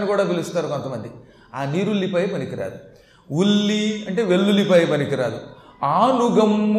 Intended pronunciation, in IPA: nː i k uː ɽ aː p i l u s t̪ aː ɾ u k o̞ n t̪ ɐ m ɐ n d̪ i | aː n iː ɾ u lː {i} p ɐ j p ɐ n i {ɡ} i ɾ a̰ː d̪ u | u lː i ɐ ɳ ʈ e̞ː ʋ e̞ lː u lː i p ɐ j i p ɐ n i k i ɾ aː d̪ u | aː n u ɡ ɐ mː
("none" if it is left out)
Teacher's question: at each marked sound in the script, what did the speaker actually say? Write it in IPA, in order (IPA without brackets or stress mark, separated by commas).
i, k